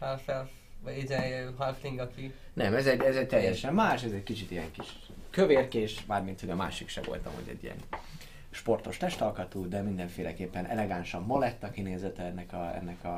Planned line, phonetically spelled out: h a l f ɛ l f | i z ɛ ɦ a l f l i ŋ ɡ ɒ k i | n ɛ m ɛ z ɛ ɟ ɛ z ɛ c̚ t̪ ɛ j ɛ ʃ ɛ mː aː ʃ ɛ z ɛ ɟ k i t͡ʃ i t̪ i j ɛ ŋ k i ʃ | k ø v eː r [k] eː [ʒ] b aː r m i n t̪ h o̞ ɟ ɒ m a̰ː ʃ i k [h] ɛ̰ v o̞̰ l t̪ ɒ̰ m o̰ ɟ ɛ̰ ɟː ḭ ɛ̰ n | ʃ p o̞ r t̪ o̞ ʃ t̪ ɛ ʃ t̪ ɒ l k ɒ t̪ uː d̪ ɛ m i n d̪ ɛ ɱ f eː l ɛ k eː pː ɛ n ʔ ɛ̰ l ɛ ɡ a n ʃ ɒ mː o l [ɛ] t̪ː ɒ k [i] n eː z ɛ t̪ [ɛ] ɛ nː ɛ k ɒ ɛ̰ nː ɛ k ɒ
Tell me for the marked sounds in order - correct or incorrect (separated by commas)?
correct, incorrect, incorrect, correct, correct, correct